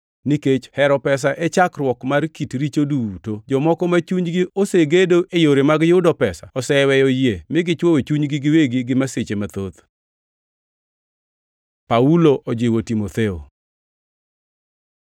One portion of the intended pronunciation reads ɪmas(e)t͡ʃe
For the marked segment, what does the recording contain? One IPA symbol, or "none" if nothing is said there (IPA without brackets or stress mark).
e